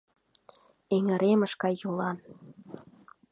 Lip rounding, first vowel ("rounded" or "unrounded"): unrounded